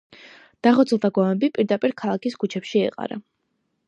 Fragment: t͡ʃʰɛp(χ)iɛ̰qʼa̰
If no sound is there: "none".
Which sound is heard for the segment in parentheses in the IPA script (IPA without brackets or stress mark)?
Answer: ʃ